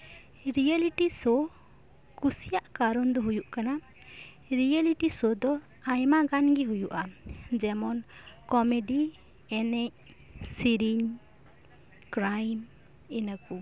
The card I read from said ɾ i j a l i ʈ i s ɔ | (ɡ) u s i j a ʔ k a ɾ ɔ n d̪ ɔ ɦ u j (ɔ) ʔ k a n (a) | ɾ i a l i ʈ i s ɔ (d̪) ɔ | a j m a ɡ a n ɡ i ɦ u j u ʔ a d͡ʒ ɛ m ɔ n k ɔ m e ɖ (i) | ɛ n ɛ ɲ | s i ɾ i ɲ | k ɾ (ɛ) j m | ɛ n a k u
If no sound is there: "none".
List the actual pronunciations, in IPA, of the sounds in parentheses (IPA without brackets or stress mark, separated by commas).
k, u, a, d̪, i, a